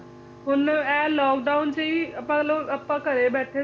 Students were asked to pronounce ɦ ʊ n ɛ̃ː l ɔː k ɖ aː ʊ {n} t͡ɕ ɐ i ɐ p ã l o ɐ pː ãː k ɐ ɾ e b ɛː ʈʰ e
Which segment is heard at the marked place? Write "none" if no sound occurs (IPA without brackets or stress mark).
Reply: n